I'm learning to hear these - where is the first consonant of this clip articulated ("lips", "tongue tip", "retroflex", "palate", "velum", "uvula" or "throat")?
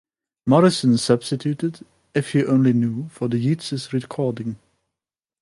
lips